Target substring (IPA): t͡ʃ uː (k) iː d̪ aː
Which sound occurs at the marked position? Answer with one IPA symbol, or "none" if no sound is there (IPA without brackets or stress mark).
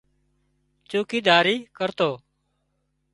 k